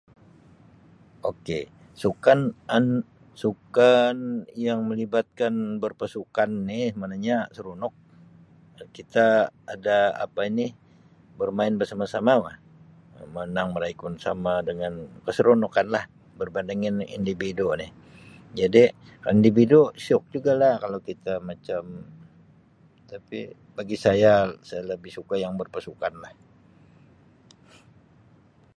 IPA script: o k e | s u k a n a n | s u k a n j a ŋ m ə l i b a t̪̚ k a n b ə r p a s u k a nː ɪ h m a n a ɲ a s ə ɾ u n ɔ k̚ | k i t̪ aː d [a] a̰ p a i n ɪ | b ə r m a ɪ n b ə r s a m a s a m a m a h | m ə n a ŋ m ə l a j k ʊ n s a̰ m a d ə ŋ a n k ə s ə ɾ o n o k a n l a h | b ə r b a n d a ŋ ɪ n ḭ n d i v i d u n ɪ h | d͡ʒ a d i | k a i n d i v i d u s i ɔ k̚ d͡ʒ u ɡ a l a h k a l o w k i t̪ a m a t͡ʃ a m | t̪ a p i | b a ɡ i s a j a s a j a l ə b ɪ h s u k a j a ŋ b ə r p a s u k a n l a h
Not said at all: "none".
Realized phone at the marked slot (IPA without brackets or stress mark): a